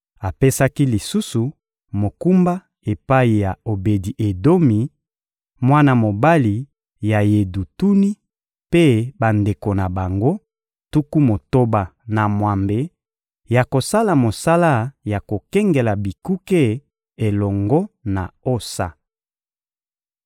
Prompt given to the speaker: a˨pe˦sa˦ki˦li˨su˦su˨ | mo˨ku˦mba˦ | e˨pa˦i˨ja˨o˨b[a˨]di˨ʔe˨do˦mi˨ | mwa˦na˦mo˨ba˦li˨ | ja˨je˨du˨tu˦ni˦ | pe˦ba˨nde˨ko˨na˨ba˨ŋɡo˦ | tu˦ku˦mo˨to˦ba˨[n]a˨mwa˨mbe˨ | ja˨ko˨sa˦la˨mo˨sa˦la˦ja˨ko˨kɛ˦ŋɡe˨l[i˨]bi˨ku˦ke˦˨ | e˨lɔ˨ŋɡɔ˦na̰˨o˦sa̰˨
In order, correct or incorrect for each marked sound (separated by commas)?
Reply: incorrect, correct, incorrect